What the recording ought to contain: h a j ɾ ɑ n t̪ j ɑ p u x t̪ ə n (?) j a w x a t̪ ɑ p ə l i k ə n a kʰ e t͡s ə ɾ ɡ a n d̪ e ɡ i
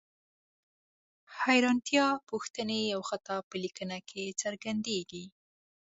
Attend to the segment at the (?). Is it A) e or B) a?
A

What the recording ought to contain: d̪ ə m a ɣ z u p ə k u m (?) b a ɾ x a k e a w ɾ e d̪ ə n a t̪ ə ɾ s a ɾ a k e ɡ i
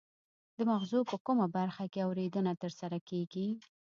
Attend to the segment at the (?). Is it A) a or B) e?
A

